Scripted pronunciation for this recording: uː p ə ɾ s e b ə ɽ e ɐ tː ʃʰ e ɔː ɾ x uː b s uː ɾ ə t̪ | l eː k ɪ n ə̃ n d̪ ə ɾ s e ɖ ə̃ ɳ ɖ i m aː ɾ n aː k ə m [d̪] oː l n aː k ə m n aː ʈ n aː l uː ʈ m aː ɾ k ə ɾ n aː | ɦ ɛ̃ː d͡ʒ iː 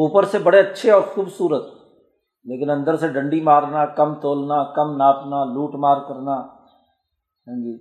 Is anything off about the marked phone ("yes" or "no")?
yes